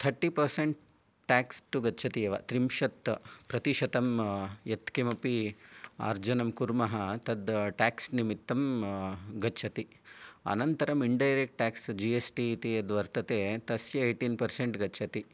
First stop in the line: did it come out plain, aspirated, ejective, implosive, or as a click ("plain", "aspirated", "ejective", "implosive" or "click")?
aspirated